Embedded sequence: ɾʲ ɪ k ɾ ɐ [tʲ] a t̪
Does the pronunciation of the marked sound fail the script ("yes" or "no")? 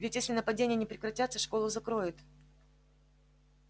no